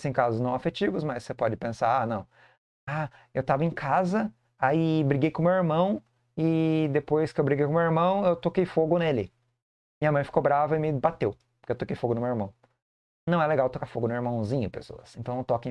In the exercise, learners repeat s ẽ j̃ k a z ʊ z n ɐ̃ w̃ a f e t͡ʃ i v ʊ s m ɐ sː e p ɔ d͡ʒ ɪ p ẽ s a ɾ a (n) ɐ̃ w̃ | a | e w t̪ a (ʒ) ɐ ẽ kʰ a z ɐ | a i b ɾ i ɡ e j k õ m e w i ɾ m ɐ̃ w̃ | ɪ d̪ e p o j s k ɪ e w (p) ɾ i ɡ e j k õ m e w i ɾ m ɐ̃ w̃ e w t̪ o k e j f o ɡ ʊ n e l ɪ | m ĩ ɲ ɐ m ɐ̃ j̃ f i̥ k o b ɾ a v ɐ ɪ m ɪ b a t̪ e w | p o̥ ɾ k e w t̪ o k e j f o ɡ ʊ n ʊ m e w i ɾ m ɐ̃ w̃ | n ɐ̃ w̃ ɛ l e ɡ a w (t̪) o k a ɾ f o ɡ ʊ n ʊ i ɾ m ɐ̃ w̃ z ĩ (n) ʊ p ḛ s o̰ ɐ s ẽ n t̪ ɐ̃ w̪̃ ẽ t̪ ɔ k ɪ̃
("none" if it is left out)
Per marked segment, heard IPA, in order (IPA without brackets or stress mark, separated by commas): n, v, b, t̪, ɲ